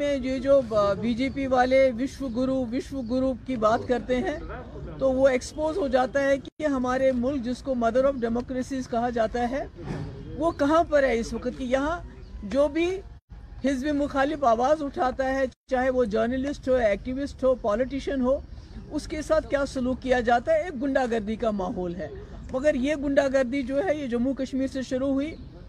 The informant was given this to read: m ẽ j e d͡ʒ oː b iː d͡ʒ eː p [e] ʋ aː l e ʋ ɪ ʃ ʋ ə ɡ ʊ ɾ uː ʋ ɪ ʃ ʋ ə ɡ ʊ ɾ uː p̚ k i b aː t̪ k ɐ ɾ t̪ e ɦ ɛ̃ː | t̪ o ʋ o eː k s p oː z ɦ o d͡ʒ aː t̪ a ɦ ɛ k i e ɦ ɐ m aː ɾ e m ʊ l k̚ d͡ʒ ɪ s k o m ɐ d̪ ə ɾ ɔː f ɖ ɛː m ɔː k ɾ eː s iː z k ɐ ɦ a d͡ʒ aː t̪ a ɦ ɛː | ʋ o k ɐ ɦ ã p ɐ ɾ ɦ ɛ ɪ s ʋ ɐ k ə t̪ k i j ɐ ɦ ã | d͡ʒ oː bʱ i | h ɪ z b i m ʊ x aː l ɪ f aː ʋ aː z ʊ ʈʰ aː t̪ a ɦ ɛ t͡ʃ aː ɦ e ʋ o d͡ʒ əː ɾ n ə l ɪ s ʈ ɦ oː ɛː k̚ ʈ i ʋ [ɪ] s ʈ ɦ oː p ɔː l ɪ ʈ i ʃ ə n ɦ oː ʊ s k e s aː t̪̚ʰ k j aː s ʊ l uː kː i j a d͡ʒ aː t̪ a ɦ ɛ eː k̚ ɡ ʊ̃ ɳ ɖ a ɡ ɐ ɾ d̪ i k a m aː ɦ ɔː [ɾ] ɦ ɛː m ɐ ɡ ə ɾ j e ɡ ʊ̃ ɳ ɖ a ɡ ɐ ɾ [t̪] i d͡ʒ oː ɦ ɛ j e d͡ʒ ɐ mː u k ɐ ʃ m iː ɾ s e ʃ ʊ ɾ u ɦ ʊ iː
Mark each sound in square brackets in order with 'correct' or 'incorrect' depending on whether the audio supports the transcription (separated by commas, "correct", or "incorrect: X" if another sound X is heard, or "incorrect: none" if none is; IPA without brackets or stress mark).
incorrect: i, correct, incorrect: l, incorrect: d̪